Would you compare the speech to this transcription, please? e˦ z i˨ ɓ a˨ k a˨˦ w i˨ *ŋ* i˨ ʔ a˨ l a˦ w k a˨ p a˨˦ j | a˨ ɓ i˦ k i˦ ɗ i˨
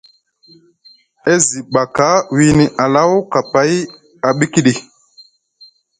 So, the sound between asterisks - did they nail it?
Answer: no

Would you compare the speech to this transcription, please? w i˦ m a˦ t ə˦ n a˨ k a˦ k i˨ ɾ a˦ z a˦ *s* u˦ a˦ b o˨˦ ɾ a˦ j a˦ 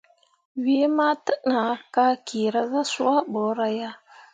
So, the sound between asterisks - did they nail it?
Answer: yes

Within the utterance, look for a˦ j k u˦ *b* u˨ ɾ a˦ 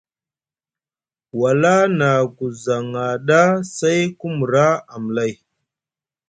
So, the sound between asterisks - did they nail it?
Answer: no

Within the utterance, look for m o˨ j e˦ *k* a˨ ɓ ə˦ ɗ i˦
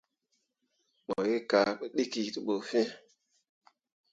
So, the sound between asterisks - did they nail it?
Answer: yes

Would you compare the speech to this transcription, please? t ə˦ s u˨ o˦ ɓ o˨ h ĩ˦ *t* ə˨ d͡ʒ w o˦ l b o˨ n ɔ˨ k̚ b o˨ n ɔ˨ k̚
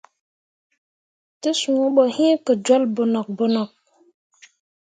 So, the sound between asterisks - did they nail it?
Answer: no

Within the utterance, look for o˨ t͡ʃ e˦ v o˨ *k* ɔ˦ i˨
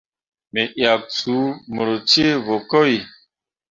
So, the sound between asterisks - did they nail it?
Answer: yes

